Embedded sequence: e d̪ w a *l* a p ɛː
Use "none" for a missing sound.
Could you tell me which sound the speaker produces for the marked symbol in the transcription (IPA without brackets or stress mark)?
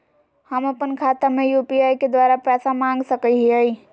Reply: ɾ